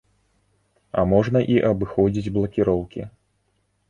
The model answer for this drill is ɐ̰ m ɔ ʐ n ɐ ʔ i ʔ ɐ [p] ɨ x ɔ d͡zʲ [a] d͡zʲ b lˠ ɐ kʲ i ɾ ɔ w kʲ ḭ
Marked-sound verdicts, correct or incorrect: incorrect, incorrect

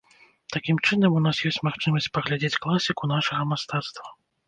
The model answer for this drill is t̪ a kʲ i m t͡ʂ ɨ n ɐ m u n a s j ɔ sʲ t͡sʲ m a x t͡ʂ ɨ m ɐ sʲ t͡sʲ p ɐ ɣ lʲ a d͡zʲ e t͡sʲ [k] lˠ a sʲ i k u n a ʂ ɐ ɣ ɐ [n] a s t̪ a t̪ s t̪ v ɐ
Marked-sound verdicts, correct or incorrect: correct, incorrect

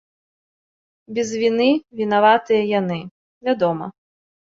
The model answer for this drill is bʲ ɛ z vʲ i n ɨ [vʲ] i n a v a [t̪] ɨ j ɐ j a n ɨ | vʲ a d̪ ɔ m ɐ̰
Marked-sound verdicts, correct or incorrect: correct, correct

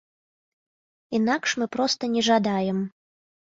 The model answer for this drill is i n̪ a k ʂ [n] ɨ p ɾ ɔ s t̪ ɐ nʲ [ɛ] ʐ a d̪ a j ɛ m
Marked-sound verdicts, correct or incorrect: incorrect, correct

